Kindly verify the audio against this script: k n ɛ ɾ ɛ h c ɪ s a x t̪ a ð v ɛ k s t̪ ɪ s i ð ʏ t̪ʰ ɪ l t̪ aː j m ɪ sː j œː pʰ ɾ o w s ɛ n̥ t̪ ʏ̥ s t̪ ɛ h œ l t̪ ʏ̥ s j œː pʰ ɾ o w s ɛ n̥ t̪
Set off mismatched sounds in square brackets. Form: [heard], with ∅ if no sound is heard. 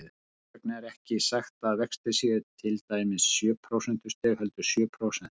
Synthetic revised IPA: k n ɛ ɾ ɛ h c ɪ s a x t̪ a ð v ɛ k s t̪ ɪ s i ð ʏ t̪ʰ ɪ l t̪ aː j m ɪ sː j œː pʰ ɾ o w s ɛ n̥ t̪ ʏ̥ s t̪ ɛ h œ l t̪ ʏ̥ s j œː pʰ ɾ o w s ɛ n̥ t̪